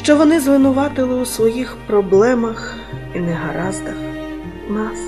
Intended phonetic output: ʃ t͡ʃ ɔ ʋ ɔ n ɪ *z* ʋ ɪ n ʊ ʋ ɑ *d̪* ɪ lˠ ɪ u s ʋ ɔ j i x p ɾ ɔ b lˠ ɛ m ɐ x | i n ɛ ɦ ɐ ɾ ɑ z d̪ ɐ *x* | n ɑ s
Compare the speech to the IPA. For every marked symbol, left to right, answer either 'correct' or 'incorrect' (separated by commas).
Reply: correct, incorrect, correct